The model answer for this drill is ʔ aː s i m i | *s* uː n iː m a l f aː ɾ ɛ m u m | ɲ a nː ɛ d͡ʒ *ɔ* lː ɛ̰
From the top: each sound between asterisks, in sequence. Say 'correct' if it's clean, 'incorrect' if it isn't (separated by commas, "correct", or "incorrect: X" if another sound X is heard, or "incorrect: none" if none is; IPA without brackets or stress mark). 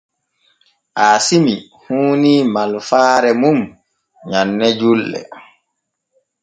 incorrect: h, incorrect: u